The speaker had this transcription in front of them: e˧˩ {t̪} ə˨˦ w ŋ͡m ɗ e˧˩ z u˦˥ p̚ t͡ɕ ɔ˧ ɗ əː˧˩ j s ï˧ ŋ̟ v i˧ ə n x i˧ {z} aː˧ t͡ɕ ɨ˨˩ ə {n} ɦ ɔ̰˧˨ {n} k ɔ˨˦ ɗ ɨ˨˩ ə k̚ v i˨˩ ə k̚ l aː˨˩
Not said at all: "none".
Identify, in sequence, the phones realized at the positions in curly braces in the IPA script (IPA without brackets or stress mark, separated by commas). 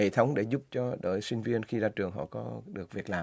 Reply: t̪ʰ, z, ŋ, none